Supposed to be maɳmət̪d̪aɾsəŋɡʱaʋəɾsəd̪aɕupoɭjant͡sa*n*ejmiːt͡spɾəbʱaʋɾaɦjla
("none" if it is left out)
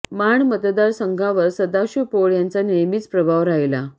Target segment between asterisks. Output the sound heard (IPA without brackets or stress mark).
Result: n